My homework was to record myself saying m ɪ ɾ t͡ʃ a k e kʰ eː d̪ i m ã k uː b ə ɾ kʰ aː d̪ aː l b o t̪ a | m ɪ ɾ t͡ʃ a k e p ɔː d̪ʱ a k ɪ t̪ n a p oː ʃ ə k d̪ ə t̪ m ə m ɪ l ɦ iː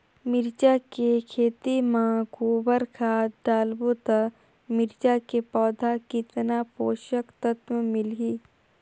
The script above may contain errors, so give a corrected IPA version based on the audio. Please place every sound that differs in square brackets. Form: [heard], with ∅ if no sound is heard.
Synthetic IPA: m ɪ ɾ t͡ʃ a k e kʰ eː [t̪] i m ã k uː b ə ɾ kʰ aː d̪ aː l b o t̪ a | m ɪ ɾ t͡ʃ a k e p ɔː d̪ʱ a k ɪ t̪ n a p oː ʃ ə k [t̪] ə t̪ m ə m ɪ l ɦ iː